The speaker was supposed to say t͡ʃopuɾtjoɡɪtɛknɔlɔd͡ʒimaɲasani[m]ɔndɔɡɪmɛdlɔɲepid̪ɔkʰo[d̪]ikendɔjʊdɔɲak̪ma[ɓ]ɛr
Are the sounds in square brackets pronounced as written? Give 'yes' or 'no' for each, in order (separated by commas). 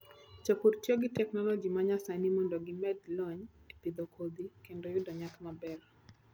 yes, yes, no